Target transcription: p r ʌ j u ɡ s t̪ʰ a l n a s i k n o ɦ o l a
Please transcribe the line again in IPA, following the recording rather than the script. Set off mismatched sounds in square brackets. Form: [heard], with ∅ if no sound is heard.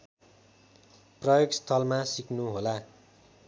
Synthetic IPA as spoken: p r ʌ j [o] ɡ s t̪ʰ [ʌ] l [m] a s i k n [u] ɦ o l a